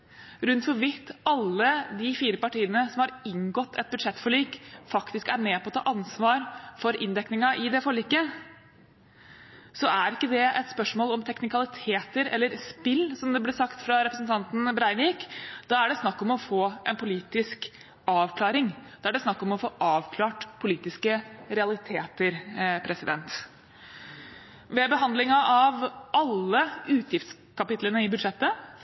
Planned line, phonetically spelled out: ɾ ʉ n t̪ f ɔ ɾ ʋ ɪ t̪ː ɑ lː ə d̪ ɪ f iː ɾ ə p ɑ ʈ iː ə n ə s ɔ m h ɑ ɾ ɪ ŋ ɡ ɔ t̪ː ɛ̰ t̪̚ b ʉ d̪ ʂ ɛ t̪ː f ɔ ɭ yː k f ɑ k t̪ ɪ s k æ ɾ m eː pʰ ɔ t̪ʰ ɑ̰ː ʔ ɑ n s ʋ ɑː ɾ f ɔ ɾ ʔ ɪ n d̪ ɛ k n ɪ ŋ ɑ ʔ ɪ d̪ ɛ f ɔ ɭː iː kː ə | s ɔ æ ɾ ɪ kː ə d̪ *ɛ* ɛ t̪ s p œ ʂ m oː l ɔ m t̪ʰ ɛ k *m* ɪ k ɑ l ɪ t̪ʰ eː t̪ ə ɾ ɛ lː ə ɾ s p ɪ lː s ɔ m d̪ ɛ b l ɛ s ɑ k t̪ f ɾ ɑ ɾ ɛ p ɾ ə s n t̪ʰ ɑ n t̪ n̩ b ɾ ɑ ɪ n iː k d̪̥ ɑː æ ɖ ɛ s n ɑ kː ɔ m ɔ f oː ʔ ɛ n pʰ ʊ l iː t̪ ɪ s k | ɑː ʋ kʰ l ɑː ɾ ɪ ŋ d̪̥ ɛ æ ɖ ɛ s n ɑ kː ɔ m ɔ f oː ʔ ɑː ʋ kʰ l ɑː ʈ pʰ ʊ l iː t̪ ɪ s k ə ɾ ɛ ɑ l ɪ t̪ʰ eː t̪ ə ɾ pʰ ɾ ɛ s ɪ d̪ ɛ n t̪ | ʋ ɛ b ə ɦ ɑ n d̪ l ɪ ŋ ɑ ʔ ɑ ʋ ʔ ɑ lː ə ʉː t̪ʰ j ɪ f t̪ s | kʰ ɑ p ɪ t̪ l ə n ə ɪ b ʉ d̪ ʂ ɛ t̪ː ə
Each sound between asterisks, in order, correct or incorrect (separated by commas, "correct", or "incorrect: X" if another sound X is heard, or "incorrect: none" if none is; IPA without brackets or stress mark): correct, incorrect: n